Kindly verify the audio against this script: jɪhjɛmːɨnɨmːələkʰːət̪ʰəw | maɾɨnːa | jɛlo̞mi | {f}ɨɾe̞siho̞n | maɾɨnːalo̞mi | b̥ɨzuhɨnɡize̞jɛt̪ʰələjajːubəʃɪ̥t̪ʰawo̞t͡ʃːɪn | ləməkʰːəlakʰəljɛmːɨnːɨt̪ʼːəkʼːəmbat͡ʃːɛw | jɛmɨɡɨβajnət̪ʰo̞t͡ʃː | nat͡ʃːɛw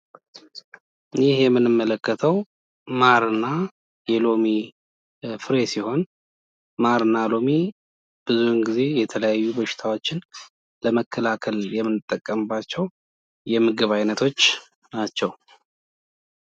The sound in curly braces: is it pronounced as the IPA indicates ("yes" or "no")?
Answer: yes